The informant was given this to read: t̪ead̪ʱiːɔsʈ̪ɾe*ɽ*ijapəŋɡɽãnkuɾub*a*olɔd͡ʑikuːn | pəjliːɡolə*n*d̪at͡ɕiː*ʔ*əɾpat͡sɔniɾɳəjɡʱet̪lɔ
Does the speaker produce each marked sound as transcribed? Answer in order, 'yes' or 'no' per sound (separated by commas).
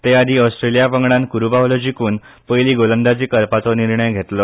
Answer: no, yes, yes, no